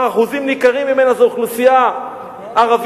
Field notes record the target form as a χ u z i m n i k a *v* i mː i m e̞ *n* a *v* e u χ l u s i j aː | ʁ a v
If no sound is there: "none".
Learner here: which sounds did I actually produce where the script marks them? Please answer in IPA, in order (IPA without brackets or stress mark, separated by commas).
ʁ, n, z